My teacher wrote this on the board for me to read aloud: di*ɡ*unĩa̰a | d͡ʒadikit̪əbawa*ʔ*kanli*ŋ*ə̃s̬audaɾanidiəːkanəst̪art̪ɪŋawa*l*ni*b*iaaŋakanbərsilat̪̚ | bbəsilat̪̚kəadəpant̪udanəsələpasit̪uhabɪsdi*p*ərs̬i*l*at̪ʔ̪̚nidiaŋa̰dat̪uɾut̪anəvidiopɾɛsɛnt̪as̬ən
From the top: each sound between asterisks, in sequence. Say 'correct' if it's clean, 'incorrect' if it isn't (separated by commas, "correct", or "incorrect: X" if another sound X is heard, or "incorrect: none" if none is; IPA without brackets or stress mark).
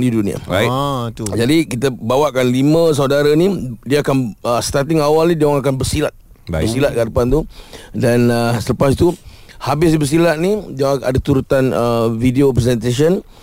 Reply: incorrect: d, correct, incorrect: m, correct, incorrect: d, incorrect: b, correct